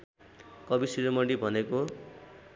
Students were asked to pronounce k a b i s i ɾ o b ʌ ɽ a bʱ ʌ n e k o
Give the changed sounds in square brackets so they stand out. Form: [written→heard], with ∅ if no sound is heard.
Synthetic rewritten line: k [a→ʌ] b i s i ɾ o [b→m] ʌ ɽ [a→i] bʱ ʌ n e k o

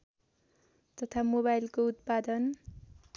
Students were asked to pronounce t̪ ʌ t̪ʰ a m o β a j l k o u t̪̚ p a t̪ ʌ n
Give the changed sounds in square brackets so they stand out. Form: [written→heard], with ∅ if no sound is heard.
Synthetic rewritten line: t̪ ʌ t̪ʰ a m o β a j l k o u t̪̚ p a [t̪→d̪] ʌ n

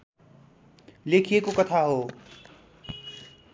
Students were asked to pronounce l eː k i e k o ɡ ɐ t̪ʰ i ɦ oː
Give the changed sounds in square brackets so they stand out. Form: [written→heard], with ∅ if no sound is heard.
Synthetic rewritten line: l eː [k→kʰ] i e k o [ɡ→k] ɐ t̪ʰ [i→a] ɦ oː

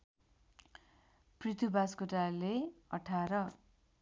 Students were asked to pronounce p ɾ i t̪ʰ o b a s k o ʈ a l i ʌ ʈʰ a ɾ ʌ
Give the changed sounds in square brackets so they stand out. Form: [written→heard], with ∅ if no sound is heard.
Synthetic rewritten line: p [ɾ→r] i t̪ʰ [o→u] b a s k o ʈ a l [i→e] ʌ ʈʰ a ɾ ʌ

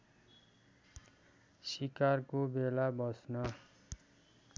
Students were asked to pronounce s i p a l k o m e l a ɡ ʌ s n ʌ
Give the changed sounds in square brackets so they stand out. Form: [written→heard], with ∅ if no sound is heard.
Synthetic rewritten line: s i [p→k] a [l→r] k o [m→b] e l a [ɡ→b] ʌ s n ʌ

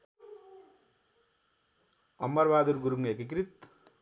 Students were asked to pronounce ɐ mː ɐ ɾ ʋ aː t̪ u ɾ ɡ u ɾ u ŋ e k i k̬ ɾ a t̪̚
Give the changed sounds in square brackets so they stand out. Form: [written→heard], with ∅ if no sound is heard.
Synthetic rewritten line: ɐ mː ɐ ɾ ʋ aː [t̪→d̪] u ɾ ɡ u ɾ u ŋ e k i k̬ ɾ [a→i] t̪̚

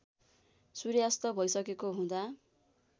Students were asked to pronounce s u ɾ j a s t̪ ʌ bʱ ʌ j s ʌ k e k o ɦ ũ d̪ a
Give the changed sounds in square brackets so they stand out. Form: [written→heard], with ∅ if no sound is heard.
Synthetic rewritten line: s u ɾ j a s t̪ ʌ bʱ ʌ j s ʌ k e k o ɦ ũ d̪ a

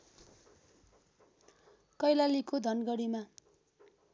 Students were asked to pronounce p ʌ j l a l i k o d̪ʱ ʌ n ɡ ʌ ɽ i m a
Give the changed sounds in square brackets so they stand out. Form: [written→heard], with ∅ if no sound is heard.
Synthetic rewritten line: [p→k] ʌ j l a l i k o d̪ʱ ʌ n ɡ ʌ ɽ i m a

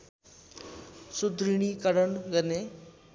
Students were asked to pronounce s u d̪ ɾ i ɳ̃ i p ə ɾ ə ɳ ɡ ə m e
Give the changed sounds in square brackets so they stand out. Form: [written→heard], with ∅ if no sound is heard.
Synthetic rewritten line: s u d̪ ɾ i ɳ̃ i [p→k] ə ɾ ə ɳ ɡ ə [m→n] e

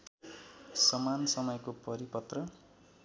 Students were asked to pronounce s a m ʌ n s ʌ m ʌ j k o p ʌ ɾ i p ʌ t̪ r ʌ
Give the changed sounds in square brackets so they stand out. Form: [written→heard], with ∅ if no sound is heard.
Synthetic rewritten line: s [a→ʌ] m [ʌ→a] n s ʌ m ʌ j k o p ʌ ɾ i p ʌ t̪ r ʌ

